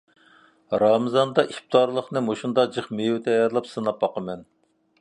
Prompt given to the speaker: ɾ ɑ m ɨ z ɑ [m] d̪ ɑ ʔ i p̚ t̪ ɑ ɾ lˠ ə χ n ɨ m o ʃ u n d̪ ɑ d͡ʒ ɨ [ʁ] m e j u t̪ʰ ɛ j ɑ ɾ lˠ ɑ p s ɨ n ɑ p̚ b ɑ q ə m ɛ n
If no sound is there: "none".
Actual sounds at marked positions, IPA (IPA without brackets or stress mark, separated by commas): n, χ